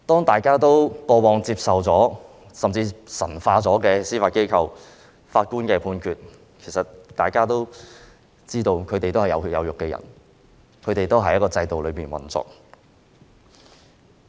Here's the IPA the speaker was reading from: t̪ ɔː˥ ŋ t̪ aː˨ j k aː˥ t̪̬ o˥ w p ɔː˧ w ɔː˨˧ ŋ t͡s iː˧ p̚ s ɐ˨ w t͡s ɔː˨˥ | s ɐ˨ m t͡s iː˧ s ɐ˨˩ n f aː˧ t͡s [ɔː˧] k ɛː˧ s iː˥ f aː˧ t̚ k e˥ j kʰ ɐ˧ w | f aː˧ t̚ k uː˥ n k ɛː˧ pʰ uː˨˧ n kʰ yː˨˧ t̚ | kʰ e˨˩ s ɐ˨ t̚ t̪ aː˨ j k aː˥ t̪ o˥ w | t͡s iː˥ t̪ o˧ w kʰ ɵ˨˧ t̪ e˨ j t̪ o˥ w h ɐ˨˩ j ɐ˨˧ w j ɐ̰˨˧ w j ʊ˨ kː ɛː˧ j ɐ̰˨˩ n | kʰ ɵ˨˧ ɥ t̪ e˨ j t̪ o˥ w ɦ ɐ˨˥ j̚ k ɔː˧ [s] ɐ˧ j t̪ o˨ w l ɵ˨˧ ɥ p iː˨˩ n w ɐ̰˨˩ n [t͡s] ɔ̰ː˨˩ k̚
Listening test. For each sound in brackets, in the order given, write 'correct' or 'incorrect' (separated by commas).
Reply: incorrect, incorrect, correct